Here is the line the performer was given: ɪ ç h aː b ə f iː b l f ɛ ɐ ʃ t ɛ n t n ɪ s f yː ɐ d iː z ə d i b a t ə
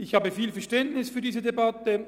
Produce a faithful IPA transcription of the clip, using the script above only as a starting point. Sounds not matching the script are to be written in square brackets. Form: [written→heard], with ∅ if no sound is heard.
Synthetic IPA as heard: ɪ ç h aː b ə f iː [b→∅] l f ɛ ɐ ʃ t ɛ n t n ɪ s f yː ɐ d iː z ə d [i→e] b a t ə